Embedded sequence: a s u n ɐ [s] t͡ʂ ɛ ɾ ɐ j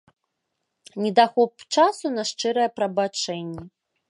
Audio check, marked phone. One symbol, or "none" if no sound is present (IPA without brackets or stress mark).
ʂ